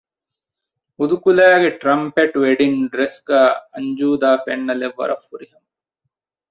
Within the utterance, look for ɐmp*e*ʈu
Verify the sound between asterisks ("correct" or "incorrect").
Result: correct